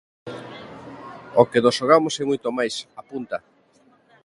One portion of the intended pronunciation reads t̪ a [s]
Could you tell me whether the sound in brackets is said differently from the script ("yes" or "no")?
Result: yes